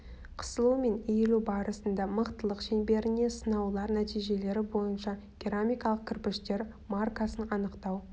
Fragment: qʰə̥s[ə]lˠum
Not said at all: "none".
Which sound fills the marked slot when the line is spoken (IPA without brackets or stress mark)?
ə